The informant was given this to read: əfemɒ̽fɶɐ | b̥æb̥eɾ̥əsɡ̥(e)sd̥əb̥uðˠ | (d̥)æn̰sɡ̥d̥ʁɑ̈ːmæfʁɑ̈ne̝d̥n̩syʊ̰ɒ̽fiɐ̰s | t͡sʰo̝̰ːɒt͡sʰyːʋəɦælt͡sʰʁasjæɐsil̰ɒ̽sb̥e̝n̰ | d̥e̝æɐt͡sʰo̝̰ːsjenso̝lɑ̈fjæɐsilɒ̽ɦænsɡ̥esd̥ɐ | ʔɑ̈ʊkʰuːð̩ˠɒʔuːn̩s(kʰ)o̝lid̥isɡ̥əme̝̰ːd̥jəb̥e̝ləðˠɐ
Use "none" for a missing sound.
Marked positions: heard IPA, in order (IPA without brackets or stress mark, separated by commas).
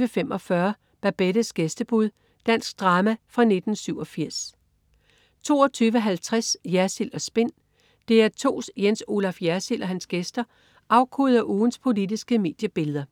e, d̥, pʰ